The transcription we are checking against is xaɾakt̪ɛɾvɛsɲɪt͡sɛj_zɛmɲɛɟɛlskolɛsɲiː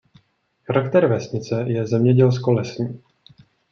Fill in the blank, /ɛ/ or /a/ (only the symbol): ɛ